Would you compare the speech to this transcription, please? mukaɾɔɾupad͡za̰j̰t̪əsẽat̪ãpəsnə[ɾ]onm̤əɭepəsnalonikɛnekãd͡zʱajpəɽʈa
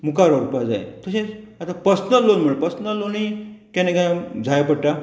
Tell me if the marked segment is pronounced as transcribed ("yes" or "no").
no